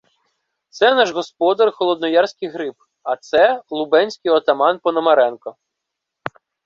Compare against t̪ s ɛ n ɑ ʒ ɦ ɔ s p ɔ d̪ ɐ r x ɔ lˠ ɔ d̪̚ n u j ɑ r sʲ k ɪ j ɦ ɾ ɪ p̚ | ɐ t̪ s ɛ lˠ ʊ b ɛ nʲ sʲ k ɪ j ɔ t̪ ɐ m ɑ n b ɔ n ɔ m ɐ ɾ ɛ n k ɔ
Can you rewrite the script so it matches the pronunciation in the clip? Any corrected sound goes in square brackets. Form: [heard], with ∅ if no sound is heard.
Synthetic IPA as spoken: t̪ s ɛ n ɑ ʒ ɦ ɔ s p ɔ d̪ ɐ r x ɔ lˠ ɔ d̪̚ n [ɔ] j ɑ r sʲ k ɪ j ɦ ɾ ɪ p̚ | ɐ t̪ s ɛ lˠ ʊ b ɛ nʲ sʲ k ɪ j ɔ t̪ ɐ m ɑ n [p] ɔ n ɔ m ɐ ɾ ɛ n k ɔ